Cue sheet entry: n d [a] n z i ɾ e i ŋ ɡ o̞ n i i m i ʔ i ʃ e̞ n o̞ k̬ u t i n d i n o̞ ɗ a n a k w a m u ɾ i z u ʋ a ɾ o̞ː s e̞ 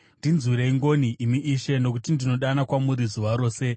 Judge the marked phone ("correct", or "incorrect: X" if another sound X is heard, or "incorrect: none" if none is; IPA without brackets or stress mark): incorrect: i